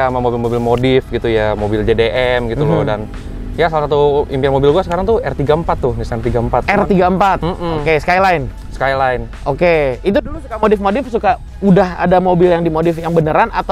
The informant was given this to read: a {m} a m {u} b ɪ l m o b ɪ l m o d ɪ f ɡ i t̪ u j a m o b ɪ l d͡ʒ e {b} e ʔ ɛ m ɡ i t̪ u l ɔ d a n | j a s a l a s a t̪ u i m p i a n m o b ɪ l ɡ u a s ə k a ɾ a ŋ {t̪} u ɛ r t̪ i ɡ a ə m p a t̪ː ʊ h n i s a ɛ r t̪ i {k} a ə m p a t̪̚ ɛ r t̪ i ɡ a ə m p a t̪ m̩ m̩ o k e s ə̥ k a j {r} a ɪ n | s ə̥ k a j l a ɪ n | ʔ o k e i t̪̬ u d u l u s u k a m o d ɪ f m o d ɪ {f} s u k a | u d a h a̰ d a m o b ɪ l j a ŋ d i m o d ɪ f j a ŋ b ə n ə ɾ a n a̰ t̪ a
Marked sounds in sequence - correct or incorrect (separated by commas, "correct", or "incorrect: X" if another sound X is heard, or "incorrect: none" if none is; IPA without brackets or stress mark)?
correct, incorrect: o, incorrect: d, correct, incorrect: ɡ, incorrect: l, correct